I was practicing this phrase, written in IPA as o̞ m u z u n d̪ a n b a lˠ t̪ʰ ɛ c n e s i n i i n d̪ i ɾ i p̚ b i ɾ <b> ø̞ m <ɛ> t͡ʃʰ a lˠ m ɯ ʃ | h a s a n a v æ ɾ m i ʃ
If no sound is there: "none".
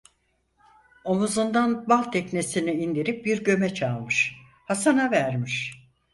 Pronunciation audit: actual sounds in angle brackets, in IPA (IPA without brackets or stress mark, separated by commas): ɟ, ɛ